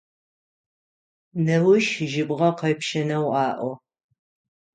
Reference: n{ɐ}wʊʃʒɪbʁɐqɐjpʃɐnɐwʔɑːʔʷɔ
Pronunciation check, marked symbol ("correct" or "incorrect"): correct